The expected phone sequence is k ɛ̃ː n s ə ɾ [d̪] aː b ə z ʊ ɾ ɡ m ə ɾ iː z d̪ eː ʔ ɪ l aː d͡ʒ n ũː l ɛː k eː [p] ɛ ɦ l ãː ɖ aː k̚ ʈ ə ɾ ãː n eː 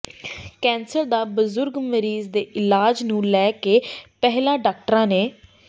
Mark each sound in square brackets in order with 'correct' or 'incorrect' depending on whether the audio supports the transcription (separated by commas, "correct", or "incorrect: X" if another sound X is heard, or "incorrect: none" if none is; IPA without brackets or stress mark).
correct, correct